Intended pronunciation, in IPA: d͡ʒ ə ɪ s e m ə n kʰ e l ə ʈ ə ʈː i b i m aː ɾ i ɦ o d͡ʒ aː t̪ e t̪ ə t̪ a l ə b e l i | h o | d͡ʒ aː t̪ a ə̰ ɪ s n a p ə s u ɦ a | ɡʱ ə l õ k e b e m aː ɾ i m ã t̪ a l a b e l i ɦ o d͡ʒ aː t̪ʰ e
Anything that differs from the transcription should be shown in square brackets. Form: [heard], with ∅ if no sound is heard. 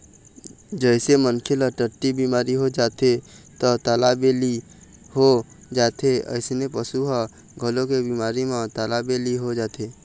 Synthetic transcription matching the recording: d͡ʒ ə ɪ s e m ə n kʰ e l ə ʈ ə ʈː i b i m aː ɾ i ɦ o d͡ʒ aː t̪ e t̪ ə t̪ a l [a] b e l i | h o | d͡ʒ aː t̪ [e] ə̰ ɪ s n [e] p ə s u ɦ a | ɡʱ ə l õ k e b [i] m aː ɾ i m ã t̪ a l a b e l i ɦ o d͡ʒ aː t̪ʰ e